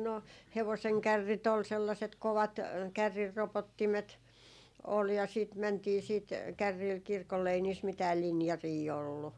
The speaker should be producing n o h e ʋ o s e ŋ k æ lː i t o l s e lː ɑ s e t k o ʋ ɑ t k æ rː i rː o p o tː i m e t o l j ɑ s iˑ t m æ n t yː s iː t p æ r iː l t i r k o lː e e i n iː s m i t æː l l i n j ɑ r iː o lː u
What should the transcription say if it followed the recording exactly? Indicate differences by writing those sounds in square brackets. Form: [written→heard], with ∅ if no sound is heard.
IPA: n o h e ʋ o s e ŋ k æ [lː→rː] i t o l s e lː ɑ s e t k o ʋ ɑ t k æ rː i rː o p o tː i m e t o l j ɑ s iˑ t m æ n t [yː→iː] s iː t [p→k] æ [r→rː] iː l [t→k] i r k o lː e e i n iː s m i t æː l l i n j ɑ r iː o lː u